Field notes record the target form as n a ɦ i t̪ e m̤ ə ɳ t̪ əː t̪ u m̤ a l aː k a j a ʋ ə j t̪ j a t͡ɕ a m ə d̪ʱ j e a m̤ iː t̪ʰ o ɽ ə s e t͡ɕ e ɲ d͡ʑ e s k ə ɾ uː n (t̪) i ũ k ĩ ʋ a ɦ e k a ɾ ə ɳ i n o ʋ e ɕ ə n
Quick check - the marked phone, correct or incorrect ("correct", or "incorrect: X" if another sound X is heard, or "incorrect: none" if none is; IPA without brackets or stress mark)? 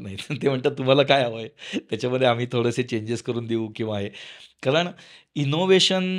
incorrect: d̪